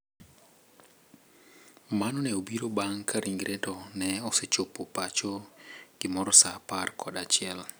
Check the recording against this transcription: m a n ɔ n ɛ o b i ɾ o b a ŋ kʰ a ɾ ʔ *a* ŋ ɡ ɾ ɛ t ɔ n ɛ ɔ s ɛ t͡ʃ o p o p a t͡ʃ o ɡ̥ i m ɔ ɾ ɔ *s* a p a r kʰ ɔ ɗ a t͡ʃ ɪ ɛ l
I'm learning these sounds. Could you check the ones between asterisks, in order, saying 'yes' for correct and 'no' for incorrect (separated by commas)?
no, yes